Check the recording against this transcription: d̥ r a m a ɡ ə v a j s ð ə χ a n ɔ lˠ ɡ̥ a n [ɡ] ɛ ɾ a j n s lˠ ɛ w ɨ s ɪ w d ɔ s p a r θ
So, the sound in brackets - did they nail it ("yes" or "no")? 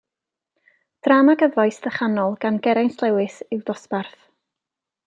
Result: yes